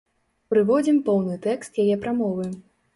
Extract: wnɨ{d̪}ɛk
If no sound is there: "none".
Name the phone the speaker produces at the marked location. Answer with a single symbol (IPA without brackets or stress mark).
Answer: t̪